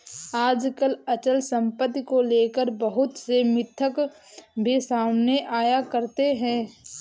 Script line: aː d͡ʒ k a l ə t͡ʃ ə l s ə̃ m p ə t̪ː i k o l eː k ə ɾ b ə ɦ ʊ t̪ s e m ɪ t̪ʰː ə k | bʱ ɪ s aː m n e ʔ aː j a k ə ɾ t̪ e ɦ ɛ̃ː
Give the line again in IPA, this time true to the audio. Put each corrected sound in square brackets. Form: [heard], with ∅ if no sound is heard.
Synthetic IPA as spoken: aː d͡ʒ k [ə] l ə t͡ʃ ə l s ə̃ m p ə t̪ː i k o l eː k ə ɾ b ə ɦ ʊ t̪ s e m ɪ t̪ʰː ə k | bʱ [i] s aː m n e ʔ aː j a k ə ɾ t̪ e ɦ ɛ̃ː